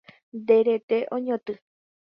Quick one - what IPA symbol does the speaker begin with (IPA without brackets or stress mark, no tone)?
d̪